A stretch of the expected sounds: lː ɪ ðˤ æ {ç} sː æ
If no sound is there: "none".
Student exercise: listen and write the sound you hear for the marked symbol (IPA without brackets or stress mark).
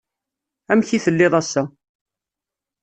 none